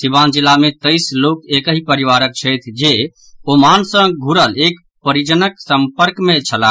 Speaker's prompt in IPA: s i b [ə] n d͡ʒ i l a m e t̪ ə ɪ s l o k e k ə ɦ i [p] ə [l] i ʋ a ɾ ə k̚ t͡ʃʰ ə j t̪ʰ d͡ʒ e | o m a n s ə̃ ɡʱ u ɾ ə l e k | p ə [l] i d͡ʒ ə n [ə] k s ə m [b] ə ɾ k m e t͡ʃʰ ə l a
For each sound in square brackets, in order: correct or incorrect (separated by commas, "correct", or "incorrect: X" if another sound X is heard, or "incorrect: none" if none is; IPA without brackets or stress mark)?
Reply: incorrect: a, correct, incorrect: ɾ, incorrect: ɾ, correct, incorrect: p